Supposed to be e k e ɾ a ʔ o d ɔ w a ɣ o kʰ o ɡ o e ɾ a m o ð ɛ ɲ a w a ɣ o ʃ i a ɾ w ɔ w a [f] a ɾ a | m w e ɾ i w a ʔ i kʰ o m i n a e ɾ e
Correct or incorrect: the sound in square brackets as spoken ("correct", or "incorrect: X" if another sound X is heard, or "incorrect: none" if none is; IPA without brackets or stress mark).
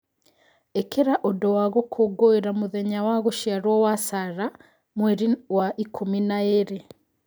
incorrect: s